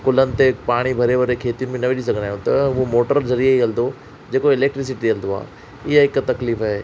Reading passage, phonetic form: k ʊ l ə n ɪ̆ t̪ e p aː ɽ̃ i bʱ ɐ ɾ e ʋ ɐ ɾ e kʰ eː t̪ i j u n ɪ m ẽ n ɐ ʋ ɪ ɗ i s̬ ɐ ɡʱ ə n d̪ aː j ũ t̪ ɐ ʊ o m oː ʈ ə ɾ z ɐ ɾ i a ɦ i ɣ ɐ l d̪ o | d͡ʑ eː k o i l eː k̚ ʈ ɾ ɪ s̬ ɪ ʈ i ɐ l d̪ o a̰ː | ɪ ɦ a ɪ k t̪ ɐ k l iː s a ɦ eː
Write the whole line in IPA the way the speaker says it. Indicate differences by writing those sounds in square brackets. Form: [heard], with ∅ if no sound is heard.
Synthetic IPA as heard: k ʊ l ə n ɪ̆ t̪ e p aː ɽ̃ i bʱ ɐ ɾ e ʋ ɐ ɾ e kʰ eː t̪ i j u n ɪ m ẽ n ɐ ʋ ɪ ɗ i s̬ ɐ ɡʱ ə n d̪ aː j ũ t̪ ɐ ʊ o m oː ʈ ə ɾ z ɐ ɾ i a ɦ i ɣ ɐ l d̪ o | d͡ʑ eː k o [ɪ] l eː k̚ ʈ ɾ ɪ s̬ ɪ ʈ i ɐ l d̪ o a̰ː | ɪ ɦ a ɪ k t̪ ɐ k l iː [f] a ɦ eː